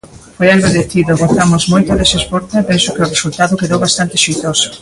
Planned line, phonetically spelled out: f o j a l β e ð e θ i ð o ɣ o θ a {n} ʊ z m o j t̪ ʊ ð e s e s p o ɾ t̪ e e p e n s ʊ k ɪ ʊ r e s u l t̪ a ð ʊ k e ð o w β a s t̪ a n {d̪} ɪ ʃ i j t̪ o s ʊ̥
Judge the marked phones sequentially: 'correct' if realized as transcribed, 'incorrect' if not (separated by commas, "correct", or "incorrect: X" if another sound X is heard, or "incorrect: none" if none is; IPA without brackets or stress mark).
incorrect: m, incorrect: t̪